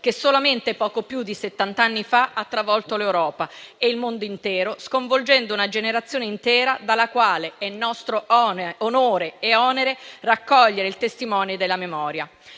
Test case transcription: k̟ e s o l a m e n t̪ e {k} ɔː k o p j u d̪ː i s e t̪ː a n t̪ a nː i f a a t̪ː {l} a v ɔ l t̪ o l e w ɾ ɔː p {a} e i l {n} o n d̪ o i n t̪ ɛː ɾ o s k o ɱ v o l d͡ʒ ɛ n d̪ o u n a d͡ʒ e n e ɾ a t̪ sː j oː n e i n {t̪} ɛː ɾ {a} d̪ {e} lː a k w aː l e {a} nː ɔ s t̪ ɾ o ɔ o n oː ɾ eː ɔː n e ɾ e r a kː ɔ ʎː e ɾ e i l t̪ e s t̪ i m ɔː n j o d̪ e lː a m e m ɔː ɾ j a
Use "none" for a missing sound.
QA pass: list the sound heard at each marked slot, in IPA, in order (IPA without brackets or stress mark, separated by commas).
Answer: p, ɾ, a, m, t̪, a, a, ɛ